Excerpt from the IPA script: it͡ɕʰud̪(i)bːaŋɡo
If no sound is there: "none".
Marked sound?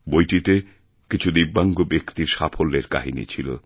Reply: i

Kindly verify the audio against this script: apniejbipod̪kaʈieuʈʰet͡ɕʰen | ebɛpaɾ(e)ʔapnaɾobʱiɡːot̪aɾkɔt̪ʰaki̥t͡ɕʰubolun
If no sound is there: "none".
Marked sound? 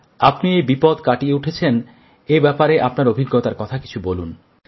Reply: e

